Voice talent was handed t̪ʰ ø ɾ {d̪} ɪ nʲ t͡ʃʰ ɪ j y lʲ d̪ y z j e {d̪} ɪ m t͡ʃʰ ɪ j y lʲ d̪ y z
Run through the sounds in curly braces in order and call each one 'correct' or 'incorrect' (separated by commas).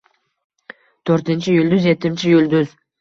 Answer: incorrect, incorrect